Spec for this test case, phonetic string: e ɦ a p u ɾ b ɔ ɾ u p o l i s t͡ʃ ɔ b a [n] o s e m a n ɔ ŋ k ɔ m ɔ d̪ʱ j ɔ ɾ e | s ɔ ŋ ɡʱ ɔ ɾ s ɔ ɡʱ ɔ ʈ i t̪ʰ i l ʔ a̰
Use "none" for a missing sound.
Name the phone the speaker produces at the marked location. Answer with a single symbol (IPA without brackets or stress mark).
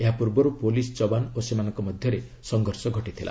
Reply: n